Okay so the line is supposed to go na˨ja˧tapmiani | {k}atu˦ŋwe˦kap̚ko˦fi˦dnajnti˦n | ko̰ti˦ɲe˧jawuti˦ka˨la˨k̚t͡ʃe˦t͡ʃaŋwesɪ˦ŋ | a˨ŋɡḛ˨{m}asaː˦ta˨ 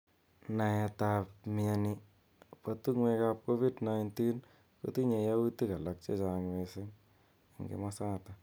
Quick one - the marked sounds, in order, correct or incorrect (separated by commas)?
incorrect, correct